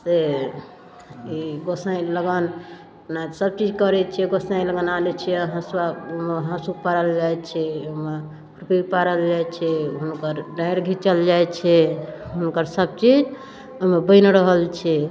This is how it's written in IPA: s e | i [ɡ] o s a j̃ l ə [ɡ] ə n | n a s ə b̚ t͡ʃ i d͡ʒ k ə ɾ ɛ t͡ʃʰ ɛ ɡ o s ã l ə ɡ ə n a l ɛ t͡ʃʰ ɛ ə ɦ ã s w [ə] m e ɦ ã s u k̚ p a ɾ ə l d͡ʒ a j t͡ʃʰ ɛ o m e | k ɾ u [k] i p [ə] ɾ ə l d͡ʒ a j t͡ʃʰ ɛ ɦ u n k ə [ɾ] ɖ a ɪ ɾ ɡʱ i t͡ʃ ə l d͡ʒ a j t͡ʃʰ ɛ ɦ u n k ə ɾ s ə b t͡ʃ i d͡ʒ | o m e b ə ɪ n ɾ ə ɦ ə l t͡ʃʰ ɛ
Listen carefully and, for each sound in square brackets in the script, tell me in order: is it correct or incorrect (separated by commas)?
correct, correct, incorrect, incorrect, incorrect, correct